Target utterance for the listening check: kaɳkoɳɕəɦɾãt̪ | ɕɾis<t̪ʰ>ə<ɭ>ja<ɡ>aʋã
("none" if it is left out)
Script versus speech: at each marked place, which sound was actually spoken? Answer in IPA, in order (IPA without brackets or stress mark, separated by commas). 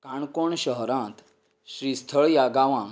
t̪ʰ, ɭ, ɡ